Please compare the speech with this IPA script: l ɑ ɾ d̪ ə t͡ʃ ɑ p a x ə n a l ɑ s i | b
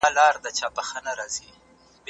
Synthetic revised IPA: l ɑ ɾ d̪ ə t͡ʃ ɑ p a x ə n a ɾ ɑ z i | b